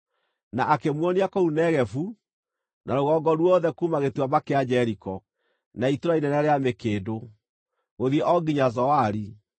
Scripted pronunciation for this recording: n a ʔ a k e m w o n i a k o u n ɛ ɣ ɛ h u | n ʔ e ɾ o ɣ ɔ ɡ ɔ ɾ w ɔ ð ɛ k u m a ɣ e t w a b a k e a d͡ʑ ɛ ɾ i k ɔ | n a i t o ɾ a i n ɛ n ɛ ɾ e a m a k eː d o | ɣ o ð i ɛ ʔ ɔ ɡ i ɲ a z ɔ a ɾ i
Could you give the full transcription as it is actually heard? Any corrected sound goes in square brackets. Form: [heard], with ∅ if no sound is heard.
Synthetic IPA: n a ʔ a k e m w [ɔ] n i a k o u n ɛ ɣ ɛ [f] u | n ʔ [a] ɾ o ɣ ɔ ɡ ɔ ɾ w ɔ ð ɛ k u m a ɣ e t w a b a k e a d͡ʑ ɛ ɾ i k ɔ | n a i t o ɾ a i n ɛ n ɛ ɾ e a m [e] k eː d o | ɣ o ð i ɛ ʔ ɔ ɡ i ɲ a z ɔ a ɾ i